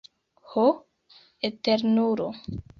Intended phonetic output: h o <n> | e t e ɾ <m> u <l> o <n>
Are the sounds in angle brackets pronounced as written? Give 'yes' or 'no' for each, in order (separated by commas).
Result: no, no, no, no